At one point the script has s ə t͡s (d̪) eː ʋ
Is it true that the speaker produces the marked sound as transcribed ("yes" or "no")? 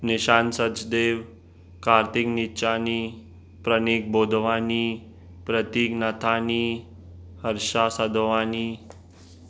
yes